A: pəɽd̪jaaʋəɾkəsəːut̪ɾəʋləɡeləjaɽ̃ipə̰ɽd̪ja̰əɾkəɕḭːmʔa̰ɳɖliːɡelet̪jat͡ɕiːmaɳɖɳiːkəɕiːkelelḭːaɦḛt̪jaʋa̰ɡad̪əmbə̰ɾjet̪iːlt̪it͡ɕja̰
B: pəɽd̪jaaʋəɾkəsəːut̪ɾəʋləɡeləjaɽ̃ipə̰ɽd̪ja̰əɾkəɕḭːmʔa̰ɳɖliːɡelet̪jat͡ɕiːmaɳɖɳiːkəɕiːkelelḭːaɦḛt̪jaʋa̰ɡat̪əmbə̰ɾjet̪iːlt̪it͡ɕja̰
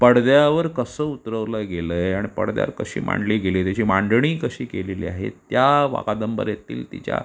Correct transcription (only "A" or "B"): A